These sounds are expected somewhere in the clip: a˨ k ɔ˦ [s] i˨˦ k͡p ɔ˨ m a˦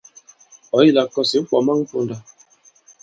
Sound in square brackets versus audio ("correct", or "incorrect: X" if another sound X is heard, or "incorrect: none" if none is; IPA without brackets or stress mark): correct